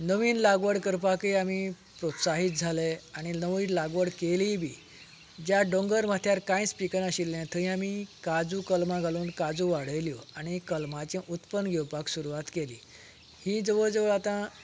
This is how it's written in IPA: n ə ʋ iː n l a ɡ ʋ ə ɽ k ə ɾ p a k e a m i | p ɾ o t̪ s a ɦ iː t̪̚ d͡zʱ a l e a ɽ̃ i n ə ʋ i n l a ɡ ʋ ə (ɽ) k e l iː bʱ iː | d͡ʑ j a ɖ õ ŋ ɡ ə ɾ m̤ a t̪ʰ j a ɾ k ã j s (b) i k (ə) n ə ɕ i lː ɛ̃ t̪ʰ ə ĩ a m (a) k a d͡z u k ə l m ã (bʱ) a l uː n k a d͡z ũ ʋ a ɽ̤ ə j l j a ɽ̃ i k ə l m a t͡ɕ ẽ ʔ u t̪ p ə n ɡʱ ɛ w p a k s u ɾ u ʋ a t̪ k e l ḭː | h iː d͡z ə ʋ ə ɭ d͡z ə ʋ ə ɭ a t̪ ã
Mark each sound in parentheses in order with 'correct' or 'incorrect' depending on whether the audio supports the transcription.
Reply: correct, incorrect, correct, incorrect, incorrect

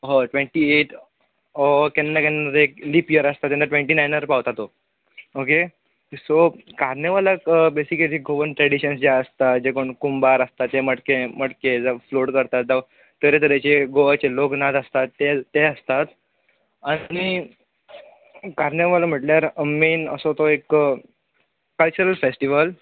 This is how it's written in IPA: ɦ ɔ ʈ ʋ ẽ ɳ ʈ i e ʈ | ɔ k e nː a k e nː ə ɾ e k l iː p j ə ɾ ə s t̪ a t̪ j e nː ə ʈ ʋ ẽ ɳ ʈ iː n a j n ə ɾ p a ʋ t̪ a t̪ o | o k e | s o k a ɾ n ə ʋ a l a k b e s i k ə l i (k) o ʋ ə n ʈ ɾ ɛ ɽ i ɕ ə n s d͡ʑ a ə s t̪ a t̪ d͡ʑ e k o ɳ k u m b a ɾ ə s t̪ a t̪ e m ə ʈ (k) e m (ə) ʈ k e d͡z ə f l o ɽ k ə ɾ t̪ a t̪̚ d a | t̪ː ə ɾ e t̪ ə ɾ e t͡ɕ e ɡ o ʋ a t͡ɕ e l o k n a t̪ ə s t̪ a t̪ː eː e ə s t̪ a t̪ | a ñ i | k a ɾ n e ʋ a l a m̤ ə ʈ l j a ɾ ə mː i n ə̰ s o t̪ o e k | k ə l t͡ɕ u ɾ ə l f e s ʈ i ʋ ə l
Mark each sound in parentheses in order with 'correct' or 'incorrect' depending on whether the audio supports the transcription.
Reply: incorrect, correct, correct

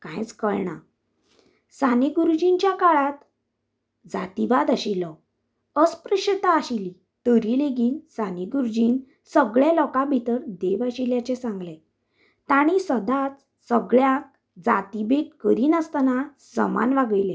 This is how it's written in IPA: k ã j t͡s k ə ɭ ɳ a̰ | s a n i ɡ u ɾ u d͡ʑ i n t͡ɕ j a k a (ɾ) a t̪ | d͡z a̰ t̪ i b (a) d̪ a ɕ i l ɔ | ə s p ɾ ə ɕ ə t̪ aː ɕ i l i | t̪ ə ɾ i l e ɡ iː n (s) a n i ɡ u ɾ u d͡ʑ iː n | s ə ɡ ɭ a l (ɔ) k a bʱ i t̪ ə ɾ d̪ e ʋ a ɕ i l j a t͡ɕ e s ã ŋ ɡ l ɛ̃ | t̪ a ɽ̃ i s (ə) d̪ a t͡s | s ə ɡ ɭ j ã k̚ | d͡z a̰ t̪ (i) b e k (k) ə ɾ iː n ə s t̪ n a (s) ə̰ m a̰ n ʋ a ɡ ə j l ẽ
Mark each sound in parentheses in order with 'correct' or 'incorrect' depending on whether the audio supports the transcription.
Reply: incorrect, correct, correct, correct, correct, correct, correct, correct

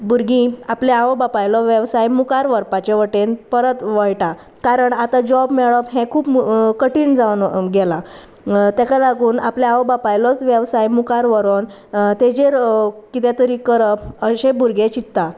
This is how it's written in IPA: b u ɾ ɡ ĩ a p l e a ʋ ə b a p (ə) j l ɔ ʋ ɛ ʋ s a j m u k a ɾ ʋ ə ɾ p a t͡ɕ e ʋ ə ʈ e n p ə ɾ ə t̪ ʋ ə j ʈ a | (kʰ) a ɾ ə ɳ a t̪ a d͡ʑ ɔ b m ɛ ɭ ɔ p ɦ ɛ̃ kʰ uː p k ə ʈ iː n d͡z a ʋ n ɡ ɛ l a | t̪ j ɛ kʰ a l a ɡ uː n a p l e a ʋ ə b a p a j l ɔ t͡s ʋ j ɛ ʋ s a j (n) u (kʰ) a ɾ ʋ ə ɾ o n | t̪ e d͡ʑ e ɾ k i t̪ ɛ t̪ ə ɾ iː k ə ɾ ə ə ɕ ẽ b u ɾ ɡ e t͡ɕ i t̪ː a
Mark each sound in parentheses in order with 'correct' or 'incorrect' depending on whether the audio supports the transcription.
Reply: incorrect, incorrect, incorrect, incorrect

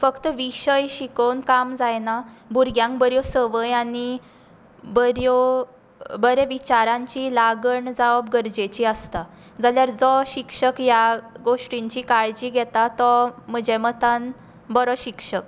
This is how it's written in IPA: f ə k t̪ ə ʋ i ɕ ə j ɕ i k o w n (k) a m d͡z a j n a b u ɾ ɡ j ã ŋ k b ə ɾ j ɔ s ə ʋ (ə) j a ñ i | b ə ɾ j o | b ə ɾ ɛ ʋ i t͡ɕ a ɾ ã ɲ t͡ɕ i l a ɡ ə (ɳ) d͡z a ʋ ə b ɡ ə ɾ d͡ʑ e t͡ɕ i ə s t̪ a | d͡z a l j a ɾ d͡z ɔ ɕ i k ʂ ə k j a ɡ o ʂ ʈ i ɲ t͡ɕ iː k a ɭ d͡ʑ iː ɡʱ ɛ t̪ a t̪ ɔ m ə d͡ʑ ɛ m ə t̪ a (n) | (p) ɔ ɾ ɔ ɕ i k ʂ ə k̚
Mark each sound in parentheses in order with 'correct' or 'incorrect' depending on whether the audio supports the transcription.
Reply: correct, correct, correct, correct, incorrect

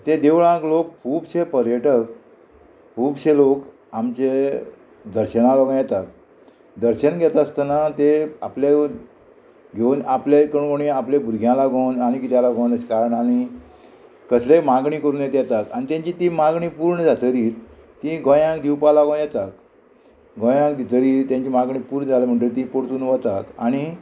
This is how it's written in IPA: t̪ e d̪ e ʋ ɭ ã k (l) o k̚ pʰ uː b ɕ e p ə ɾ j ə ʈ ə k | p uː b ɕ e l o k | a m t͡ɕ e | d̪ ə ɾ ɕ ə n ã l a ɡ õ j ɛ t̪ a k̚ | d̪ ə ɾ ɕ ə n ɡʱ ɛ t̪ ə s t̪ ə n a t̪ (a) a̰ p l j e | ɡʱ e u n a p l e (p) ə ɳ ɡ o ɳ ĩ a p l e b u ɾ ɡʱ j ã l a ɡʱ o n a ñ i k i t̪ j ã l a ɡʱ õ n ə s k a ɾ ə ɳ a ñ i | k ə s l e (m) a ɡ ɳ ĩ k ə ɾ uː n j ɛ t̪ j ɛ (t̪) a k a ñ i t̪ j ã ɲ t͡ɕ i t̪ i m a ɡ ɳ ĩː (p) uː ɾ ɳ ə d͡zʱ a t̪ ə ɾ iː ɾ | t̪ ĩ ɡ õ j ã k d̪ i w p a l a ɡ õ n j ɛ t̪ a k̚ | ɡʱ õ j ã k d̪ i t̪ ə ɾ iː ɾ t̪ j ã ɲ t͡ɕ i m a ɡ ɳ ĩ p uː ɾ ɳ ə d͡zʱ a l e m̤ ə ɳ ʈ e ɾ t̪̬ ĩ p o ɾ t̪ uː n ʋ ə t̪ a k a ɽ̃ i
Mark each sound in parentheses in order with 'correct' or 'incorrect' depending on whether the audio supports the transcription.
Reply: correct, incorrect, incorrect, correct, correct, correct

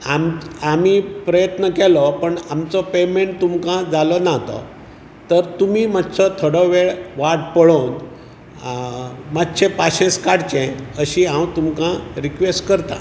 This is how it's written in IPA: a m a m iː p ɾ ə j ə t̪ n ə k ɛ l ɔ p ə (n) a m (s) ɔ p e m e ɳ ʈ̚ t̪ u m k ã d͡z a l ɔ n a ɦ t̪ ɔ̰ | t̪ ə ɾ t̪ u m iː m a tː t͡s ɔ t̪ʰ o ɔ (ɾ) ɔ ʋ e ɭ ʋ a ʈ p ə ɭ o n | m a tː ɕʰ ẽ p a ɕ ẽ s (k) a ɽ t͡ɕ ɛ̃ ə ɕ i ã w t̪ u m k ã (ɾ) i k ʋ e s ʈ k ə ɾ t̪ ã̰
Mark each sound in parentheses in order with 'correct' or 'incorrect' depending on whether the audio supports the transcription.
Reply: incorrect, incorrect, incorrect, correct, correct

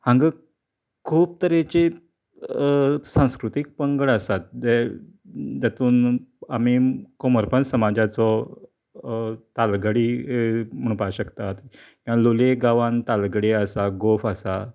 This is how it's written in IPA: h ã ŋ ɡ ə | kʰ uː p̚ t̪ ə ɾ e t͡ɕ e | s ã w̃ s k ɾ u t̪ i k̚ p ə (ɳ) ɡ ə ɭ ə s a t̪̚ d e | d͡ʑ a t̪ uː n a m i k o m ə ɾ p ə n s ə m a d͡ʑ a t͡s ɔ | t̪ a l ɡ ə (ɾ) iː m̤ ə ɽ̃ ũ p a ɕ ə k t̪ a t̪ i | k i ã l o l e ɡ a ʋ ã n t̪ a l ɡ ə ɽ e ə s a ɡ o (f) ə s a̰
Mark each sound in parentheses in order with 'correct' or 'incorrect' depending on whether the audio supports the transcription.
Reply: incorrect, incorrect, correct

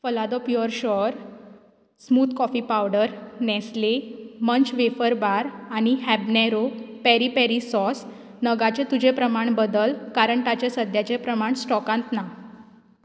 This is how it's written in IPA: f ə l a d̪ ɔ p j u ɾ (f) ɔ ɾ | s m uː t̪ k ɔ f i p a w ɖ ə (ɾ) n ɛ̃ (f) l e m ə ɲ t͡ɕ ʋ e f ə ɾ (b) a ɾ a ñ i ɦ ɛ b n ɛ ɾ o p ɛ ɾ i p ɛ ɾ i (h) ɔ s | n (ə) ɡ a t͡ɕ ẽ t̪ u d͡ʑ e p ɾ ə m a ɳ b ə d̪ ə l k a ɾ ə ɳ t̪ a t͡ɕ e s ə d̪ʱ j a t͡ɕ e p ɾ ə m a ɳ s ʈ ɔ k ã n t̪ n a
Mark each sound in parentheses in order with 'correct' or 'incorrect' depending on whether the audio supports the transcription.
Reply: incorrect, correct, incorrect, correct, incorrect, correct

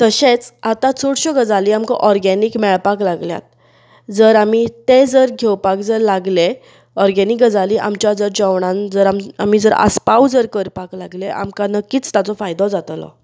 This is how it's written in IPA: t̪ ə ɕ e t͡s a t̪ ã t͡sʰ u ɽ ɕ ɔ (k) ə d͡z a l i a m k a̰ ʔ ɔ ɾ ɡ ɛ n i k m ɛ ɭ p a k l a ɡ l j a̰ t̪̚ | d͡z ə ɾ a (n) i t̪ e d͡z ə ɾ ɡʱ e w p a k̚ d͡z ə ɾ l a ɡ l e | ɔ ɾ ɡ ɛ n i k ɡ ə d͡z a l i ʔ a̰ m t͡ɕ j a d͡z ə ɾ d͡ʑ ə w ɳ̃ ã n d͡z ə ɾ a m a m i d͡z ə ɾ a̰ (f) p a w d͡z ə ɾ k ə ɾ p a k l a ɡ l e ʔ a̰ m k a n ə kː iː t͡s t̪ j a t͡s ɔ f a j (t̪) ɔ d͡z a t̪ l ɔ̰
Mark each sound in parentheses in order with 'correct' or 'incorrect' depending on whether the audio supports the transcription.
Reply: incorrect, incorrect, incorrect, incorrect

